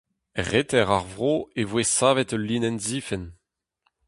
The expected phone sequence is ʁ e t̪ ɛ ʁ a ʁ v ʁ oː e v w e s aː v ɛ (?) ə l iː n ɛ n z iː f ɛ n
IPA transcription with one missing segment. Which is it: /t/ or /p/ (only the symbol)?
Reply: t